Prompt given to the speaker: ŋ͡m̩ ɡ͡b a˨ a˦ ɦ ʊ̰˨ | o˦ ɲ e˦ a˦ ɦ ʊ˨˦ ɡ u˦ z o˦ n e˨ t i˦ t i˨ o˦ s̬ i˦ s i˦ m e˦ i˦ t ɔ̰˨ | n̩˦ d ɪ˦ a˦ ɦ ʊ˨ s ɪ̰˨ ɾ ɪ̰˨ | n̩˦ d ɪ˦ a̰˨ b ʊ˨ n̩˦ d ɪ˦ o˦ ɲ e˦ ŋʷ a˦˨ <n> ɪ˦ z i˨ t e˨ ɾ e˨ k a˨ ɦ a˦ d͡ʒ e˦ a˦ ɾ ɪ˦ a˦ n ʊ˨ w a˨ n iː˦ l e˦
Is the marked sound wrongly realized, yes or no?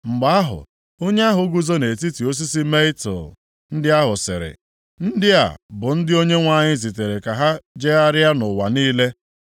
yes